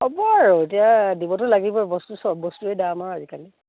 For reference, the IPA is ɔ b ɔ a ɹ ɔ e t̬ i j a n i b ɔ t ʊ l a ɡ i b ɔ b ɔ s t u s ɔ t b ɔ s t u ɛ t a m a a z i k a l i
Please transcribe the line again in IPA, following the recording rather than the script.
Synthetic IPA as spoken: ɔ b ɔ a ɹ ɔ e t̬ i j a d i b ɔ t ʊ l a ɡ i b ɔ b ɔ s t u s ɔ b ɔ s t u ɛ d a m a a z i k a l i